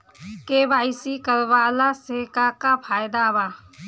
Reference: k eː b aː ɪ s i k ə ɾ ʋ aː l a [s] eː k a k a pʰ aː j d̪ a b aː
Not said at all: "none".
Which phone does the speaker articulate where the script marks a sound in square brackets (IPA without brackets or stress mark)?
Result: s